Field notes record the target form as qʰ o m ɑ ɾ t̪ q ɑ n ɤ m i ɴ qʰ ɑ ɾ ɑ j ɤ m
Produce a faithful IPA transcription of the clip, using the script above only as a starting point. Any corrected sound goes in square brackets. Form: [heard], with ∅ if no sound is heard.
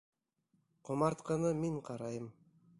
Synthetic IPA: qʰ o m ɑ ɾ t̪ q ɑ n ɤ m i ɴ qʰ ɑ ɾ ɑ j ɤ m